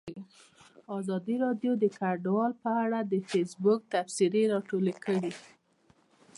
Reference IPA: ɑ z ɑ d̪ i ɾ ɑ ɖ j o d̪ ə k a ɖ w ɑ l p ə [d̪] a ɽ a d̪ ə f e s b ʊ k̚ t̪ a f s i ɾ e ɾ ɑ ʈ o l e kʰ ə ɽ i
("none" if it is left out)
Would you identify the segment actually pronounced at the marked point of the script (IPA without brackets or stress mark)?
none